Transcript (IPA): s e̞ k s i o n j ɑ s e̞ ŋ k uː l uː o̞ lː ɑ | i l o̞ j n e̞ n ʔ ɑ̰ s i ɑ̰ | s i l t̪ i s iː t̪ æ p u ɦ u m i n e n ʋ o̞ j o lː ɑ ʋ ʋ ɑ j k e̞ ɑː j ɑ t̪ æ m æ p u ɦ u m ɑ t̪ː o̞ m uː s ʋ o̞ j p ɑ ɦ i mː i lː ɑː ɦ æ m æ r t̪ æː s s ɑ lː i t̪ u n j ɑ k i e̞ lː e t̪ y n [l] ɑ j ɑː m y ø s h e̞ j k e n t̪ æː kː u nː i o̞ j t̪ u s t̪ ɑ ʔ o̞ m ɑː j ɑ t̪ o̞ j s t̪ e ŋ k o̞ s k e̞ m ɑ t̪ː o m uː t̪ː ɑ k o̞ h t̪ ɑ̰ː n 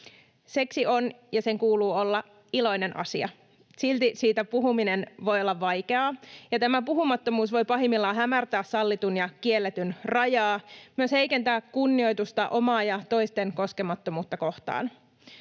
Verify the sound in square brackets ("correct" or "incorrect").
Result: incorrect